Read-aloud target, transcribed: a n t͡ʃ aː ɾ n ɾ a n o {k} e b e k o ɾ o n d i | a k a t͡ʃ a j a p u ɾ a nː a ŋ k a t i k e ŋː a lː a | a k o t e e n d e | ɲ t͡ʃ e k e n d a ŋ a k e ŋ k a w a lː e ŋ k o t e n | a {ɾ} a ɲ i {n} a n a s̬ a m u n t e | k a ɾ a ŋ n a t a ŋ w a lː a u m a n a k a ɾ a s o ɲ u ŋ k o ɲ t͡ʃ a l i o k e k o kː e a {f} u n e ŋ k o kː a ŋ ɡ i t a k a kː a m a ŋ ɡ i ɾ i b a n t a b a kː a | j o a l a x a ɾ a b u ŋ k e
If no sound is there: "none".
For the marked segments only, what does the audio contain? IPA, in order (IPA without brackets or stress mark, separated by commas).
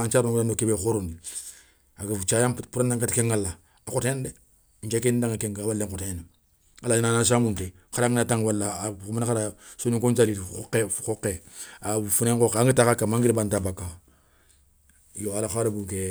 k, l, n, f